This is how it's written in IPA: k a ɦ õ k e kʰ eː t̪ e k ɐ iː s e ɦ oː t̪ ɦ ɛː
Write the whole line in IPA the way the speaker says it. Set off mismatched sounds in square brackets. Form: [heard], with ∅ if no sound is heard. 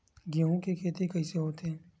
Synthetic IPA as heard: [ɡ] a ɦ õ k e kʰ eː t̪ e k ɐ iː s e ɦ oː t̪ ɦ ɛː